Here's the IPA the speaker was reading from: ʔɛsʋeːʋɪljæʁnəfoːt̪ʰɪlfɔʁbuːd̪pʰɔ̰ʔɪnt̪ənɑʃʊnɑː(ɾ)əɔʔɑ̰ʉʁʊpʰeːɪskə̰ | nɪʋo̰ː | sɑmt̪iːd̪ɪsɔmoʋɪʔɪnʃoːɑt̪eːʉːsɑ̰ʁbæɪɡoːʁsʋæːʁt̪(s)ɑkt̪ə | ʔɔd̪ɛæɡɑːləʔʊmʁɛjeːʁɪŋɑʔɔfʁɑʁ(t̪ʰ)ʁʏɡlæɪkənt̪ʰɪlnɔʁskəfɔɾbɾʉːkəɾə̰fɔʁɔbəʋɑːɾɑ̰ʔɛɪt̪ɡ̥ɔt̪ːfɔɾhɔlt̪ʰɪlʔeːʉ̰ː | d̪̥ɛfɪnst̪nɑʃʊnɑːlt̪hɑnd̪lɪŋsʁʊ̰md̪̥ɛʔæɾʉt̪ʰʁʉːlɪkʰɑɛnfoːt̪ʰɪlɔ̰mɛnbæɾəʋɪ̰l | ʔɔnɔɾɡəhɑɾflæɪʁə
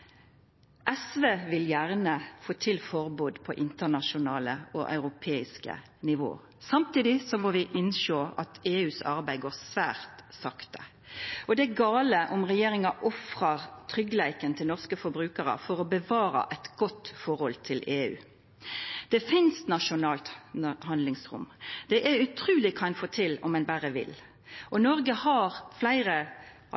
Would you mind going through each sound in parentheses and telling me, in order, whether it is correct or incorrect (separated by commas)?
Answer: incorrect, correct, correct